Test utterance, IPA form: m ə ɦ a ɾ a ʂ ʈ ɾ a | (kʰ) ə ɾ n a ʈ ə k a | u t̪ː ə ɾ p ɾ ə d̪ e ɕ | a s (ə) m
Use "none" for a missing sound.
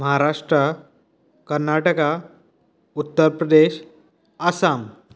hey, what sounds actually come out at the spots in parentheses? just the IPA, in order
k, a

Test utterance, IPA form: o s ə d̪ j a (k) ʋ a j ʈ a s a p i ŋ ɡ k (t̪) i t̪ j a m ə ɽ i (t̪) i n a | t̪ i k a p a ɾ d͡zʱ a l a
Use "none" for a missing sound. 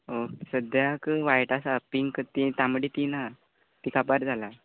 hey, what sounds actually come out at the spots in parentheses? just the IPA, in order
k, t̪, t̪

